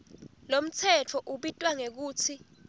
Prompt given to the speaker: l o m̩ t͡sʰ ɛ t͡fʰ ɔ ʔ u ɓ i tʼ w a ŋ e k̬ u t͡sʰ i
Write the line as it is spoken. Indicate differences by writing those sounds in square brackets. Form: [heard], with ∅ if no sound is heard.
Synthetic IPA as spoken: l o m̩ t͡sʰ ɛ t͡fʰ ɔ ʔ u ɓ i tʼ w a ŋ e k̬ [uː] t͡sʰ i